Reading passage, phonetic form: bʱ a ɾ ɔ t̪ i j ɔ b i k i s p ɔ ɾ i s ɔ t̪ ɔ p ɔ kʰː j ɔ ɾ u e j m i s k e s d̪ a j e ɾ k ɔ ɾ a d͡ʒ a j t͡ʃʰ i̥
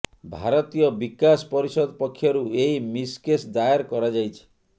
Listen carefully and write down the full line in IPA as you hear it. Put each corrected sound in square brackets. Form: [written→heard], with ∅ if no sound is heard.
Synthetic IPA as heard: bʱ a ɾ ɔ t̪ i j ɔ b i k [i→a] s p ɔ ɾ i s ɔ [t̪→d̪] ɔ p ɔ kʰː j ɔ ɾ u e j m i s k e s d̪ a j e ɾ k ɔ ɾ a d͡ʒ a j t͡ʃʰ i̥

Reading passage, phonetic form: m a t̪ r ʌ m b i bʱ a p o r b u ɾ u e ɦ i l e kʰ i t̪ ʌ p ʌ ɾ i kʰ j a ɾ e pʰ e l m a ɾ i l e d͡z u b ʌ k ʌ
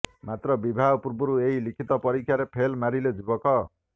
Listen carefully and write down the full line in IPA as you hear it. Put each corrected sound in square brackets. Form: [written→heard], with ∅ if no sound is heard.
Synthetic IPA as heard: m a t̪ r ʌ [m→∅] b i bʱ a p [o→u] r b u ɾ u e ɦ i l [e→i] kʰ i t̪ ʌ p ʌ ɾ i kʰ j a ɾ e pʰ e l m a ɾ i l e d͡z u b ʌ k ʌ

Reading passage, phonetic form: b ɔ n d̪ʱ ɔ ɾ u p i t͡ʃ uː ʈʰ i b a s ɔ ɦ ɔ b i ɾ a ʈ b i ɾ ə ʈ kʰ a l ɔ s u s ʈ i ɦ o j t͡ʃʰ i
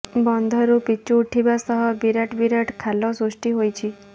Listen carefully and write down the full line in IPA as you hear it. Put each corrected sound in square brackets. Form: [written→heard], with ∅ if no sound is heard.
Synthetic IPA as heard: b ɔ n d̪ʱ ɔ ɾ u p i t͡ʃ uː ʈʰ i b a s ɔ ɦ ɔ b i ɾ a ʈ b i ɾ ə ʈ kʰ a l ɔ s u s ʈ i ɦ o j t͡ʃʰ i

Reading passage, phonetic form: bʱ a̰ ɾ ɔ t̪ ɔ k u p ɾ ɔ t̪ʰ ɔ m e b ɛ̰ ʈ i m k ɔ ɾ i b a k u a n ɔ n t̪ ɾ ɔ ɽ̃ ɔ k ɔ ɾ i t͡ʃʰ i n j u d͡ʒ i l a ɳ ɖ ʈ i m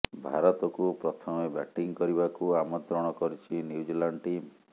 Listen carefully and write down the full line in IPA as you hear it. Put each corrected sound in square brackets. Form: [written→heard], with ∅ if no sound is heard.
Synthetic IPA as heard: bʱ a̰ ɾ ɔ t̪ ɔ k u p ɾ ɔ t̪ʰ ɔ m e b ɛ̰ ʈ i [m→ŋ] k ɔ ɾ i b a k u a [n→m] ɔ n t̪ ɾ ɔ ɽ̃ ɔ k ɔ ɾ i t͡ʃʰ i n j u d͡ʒ i l a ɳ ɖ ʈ i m

